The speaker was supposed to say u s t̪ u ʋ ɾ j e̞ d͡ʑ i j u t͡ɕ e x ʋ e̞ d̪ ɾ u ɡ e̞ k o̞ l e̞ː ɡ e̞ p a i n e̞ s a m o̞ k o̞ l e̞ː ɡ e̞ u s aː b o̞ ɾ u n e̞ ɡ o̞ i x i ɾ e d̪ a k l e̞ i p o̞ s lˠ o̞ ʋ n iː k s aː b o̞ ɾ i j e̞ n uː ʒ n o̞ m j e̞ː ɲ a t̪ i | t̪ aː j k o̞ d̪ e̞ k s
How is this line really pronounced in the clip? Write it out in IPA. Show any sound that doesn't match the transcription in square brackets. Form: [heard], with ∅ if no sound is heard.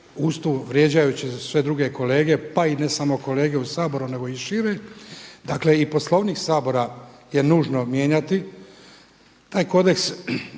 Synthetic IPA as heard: u s t̪ u ʋ ɾ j e̞ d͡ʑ [a] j u t͡ɕ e [s] ʋ e̞ d̪ ɾ u ɡ e̞ k o̞ l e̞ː ɡ e̞ p a i n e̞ s a m o̞ k o̞ l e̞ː ɡ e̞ u s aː b o̞ ɾ u n e̞ ɡ o̞ i [ʃ] i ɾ e d̪ a k l e̞ i p o̞ s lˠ o̞ ʋ n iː k s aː b o̞ ɾ [a] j e̞ n uː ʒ n o̞ m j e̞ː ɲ a t̪ i | t̪ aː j k o̞ d̪ e̞ k s

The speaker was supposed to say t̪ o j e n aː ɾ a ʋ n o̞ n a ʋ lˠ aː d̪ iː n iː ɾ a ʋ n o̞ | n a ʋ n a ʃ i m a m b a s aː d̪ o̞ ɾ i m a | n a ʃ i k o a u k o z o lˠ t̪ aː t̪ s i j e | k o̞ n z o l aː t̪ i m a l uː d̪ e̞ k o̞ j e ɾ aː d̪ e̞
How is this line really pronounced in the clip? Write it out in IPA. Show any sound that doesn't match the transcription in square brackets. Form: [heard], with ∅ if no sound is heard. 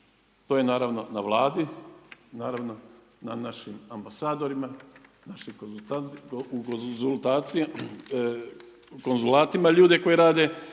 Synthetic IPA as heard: t̪ o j e n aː ɾ a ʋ n o̞ n a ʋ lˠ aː d̪ [i] n [aː] ɾ a ʋ n o̞ | n a [∅] n a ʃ i m a m b a s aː d̪ o̞ ɾ i m a | n a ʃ i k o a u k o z [u] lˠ t̪ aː t̪ s i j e | k o̞ n z [u] l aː t̪ i m a [ʎ] uː d̪ e̞ k o̞ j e ɾ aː d̪ e̞

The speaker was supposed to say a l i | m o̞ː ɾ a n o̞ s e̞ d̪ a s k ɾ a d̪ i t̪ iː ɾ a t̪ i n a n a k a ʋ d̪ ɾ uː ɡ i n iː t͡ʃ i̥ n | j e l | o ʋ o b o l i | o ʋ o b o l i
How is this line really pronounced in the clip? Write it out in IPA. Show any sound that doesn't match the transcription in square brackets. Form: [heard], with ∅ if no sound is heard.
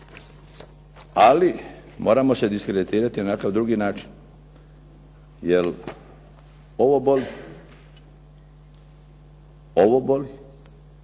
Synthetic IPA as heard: a l i | m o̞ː ɾ a [m] o̞ s e̞ d̪ [i] s k ɾ [e] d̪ i t̪ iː ɾ a t̪ i n a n a k a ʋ d̪ ɾ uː ɡ i n [aː] t͡ʃ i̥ n | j e l | o ʋ o b o l i | o ʋ o b o l i

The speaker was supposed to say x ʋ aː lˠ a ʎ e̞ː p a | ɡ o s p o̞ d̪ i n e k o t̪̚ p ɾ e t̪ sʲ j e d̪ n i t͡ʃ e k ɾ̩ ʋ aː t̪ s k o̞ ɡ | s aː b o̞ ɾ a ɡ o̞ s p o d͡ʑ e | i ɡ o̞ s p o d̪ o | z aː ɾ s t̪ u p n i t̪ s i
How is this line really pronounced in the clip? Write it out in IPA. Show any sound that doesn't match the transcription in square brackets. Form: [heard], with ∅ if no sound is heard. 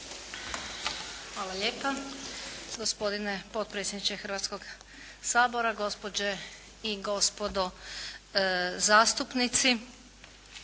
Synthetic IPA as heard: x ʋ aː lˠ a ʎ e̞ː p a | ɡ o s p o̞ d̪ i n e [p] o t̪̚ p ɾ e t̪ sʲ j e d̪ n i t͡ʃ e [x] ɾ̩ ʋ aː t̪ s k o̞ ɡ | s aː b o̞ ɾ a ɡ o̞ s p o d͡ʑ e | i ɡ o̞ s p o d̪ o | z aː [∅] s t̪ u p n i t̪ s i

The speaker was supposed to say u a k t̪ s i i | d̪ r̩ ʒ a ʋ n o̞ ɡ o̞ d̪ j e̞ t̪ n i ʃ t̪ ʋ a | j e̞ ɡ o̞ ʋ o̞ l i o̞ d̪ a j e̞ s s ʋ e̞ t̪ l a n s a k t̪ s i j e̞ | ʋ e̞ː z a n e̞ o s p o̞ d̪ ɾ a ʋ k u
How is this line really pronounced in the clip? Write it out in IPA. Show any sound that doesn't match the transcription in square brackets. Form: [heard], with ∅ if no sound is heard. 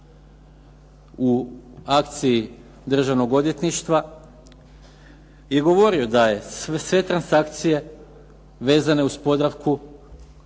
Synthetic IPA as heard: u a k t̪ s i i | d̪ r̩ ʒ a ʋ n o̞ ɡ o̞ d̪ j e̞ t̪ n i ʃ t̪ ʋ a | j e̞ ɡ o̞ ʋ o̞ [ɾ] i o̞ d̪ a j e̞ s s ʋ e̞ t̪ [ɾ] a n s a k t̪ s i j e̞ | ʋ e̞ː z a n e̞ [u] s p o̞ d̪ ɾ a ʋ k u

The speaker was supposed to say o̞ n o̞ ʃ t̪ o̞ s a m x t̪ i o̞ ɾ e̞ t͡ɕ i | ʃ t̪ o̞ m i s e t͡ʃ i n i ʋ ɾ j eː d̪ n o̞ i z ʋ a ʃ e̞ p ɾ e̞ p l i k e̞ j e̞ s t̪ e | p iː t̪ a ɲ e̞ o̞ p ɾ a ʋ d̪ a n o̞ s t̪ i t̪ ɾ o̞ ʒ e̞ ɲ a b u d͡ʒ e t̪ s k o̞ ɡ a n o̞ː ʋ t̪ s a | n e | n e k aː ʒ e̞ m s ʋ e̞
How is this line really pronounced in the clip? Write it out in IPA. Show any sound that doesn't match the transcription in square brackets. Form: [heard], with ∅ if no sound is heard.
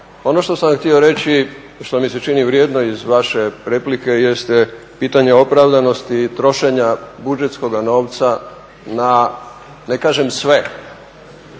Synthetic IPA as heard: o̞ n o̞ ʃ t̪ o̞ s a m x t̪ i o̞ ɾ e̞ t͡ɕ i | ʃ t̪ o̞ m i s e t͡ʃ i n i ʋ ɾ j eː d̪ n o̞ i z ʋ a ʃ e̞ p ɾ e̞ p l i k e̞ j e̞ s t̪ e | p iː t̪ a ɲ e̞ o̞ p ɾ a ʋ d̪ a n o̞ s t̪ i t̪ ɾ o̞ [ʃ] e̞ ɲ a b u d͡ʒ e t̪ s k o̞ ɡ a n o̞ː ʋ t̪ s a | n [a] | n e k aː ʒ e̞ m s ʋ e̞

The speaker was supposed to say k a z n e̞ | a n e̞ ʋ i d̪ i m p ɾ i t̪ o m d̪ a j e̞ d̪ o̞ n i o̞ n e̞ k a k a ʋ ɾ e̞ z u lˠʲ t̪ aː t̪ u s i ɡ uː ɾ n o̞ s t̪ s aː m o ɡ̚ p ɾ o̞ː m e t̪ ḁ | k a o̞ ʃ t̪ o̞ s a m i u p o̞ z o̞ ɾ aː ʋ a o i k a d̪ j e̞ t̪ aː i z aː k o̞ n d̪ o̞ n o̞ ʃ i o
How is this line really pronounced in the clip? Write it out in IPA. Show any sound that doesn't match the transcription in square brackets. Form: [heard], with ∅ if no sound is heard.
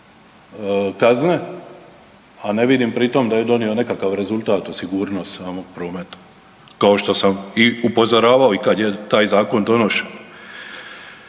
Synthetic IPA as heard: k a z n e̞ | a n e̞ ʋ i d̪ i m p ɾ i t̪ o m d̪ a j e̞ d̪ o̞ n i o̞ n e̞ k a k a ʋ ɾ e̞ z u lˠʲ t̪ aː t̪ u s i ɡ uː ɾ n o̞ s t̪ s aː m o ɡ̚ p ɾ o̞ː m e t̪ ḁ | k a o̞ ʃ t̪ o̞ s a m i u p o̞ z o̞ ɾ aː ʋ a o i k a d̪ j e̞ t̪ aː [j] z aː k o̞ n d̪ o̞ n o̞ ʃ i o

